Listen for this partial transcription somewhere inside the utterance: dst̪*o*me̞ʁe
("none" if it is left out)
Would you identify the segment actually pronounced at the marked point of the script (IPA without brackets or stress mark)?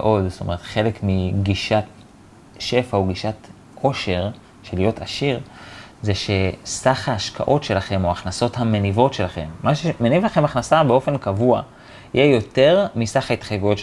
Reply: o